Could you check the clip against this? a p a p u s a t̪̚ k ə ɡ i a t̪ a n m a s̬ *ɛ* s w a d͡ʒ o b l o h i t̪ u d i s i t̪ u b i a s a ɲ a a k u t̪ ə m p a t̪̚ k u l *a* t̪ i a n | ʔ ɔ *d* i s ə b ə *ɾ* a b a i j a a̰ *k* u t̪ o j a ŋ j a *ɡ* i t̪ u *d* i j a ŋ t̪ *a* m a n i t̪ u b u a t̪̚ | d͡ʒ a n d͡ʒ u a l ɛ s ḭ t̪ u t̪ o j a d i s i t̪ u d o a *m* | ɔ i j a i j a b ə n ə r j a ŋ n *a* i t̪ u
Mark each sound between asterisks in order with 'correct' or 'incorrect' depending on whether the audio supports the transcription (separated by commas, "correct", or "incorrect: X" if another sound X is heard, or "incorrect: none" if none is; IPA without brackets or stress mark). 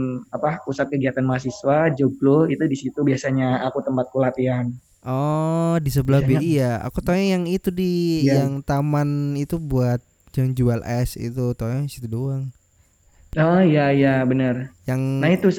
incorrect: i, correct, correct, incorrect: l, correct, incorrect: ŋ, correct, correct, incorrect: ŋ, correct